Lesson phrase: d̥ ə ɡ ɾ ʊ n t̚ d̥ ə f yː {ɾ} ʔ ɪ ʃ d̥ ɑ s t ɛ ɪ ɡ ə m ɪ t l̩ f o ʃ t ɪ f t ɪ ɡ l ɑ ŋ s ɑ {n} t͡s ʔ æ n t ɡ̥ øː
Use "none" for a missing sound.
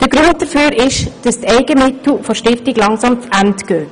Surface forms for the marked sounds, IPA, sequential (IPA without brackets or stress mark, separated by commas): ɾ, m